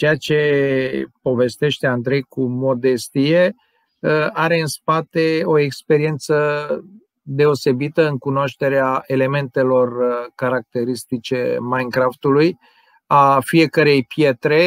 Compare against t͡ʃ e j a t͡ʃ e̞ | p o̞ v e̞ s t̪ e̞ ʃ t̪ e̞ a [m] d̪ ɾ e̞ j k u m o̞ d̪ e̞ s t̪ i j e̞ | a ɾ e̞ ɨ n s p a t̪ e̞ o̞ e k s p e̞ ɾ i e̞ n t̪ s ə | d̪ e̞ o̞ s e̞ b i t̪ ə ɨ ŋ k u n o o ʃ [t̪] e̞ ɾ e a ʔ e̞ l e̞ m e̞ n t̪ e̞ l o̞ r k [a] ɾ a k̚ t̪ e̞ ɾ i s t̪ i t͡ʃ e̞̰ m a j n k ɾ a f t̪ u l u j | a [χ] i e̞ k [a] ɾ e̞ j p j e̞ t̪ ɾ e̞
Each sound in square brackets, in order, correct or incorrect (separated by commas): incorrect, correct, correct, incorrect, incorrect